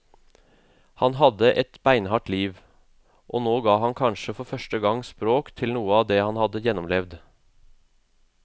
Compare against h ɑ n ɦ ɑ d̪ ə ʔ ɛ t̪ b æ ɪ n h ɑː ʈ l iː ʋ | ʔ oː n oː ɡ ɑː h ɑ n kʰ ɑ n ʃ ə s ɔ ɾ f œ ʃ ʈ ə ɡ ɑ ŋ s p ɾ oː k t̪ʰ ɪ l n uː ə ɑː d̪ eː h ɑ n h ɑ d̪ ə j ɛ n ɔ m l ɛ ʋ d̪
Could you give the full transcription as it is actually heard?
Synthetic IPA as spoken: h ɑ n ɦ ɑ d̪ ə ʔ ɛ t̪ b æ ɪ n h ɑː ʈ l iː ʋ | ʔ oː n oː ɡ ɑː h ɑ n kʰ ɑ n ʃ ə f ɔ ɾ f œ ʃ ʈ ə ɡ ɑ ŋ s p ɾ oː k t̪ʰ ɪ l n uː ə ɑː d̪ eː h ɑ n h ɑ d̪ ə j ɛ n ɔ m l ɛ ʋ d̪